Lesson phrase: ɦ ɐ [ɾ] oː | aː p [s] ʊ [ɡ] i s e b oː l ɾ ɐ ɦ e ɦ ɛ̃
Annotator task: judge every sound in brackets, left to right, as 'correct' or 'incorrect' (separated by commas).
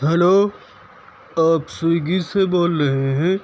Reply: incorrect, correct, correct